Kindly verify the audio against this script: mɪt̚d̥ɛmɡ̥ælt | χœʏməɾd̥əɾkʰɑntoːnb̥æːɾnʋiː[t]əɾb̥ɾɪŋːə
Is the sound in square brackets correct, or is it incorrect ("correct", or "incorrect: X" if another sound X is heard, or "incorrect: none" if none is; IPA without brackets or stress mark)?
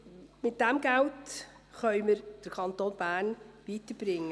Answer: correct